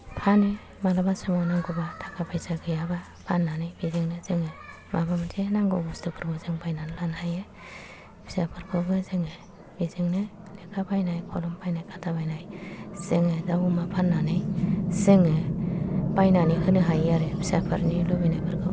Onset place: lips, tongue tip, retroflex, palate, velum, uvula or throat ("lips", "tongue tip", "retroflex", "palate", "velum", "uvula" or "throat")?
lips